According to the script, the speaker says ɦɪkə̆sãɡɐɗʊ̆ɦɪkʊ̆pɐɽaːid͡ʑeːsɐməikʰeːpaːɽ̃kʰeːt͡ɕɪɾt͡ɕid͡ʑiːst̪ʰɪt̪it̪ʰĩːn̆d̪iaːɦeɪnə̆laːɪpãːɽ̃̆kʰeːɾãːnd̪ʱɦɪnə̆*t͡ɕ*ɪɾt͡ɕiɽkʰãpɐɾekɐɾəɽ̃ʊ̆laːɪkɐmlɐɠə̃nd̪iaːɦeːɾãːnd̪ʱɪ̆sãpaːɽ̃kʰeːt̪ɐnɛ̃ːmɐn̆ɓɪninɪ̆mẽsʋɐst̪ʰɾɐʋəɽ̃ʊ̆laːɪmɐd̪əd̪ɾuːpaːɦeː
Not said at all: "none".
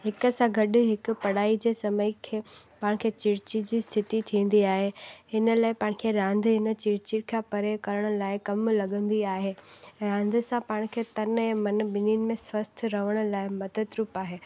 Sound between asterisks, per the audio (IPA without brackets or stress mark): t͡ɕ